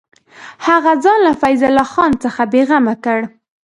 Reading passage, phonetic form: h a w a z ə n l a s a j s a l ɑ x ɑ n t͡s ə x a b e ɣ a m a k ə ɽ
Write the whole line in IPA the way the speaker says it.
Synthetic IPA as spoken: h a ɣ a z ɑ n l a f a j z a l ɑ x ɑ n t͡s ə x a b e ɣ a m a k ə ɽ